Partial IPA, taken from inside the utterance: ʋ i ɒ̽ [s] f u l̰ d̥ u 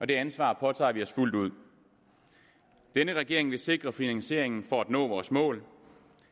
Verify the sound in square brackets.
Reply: correct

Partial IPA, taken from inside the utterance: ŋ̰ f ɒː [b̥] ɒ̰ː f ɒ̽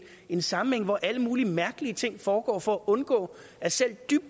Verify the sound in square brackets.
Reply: incorrect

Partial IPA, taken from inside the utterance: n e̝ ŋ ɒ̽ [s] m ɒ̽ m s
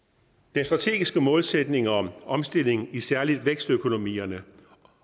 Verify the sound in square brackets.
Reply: incorrect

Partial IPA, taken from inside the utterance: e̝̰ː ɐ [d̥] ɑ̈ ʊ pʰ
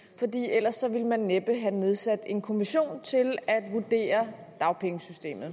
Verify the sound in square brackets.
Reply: correct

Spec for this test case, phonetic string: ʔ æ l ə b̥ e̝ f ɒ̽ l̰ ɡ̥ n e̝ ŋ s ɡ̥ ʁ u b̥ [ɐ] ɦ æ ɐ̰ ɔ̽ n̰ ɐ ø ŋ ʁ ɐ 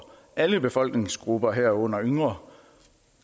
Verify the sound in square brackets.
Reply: correct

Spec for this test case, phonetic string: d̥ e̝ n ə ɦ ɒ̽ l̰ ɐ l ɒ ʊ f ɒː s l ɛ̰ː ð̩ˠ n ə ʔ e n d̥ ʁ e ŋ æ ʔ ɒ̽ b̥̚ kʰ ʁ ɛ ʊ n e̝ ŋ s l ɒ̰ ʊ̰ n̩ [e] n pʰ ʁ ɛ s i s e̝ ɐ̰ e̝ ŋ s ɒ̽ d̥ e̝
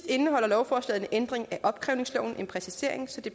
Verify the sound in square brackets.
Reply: correct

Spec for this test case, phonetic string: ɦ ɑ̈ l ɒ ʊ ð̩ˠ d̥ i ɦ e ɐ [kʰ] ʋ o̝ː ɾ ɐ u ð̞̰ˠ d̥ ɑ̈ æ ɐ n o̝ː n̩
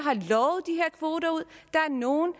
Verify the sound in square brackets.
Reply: correct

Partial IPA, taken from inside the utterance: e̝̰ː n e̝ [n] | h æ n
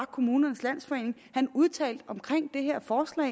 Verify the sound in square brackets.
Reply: incorrect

